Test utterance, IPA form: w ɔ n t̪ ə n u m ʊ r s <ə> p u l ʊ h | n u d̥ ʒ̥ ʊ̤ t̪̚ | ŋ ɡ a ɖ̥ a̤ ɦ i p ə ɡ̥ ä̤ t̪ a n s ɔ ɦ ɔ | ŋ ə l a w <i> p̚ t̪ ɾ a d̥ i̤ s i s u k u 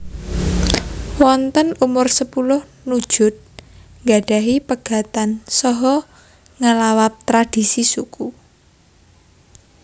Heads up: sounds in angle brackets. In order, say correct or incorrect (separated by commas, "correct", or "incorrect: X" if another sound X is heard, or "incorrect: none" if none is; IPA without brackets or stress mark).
correct, incorrect: a